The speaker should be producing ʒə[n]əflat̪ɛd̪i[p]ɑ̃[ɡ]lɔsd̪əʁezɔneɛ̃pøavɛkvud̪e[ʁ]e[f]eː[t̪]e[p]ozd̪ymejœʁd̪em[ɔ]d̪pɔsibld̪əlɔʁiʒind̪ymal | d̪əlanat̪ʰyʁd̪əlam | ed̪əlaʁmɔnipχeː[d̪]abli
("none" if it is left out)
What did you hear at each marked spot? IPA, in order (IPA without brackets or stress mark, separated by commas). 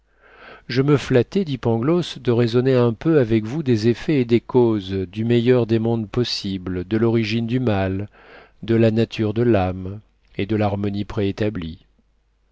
m, p, ɡ, z, f, d̪, k, ɔ̃, t̪